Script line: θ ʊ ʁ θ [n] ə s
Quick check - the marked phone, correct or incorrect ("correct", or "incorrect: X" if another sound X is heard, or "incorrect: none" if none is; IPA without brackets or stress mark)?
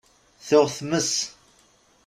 incorrect: m